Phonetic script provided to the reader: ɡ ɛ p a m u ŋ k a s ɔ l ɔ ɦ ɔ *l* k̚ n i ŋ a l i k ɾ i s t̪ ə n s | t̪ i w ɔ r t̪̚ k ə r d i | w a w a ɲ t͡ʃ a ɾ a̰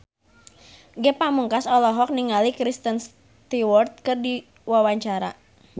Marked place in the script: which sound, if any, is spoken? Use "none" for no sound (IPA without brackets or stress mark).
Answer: none